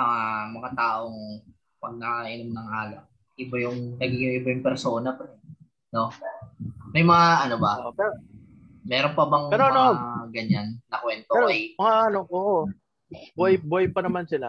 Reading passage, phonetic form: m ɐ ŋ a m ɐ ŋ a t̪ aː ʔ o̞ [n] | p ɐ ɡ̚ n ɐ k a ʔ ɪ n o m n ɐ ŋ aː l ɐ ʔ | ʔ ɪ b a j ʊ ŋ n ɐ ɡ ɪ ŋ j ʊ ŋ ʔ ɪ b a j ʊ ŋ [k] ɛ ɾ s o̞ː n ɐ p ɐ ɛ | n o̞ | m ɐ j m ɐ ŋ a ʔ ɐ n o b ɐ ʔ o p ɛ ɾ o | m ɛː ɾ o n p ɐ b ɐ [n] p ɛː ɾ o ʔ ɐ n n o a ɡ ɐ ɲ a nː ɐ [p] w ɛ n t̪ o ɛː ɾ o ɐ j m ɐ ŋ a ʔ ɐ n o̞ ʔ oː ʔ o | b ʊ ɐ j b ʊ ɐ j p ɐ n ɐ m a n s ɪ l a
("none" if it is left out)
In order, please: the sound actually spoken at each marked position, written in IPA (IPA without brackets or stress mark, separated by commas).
ŋ, p, ŋ, k